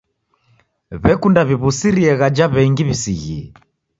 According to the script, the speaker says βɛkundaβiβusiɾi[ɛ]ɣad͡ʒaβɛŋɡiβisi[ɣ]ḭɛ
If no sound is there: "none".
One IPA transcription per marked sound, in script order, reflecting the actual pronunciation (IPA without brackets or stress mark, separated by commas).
ɛ, ɣ